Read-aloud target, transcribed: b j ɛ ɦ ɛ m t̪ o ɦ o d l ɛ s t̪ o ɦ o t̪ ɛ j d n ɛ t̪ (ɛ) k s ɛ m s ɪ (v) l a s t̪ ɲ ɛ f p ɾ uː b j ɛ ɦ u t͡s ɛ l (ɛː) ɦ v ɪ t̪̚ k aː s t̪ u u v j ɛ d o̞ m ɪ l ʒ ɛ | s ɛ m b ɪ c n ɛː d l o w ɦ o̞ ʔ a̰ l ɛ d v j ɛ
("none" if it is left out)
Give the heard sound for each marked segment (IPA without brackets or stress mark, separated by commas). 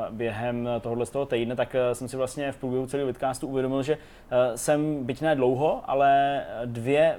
a, v, iː